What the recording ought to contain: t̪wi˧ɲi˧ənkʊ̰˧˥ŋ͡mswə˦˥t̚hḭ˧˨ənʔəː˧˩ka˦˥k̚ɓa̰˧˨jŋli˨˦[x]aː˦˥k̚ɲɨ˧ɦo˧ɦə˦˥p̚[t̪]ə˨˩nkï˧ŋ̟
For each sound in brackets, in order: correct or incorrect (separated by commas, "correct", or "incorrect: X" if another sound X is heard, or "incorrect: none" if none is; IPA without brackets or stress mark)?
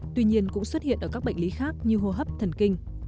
correct, incorrect: t̪ʰ